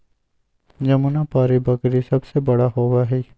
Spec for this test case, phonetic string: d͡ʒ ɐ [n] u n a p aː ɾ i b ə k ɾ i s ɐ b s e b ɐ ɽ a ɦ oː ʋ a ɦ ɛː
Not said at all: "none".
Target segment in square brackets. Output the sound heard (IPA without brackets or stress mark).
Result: m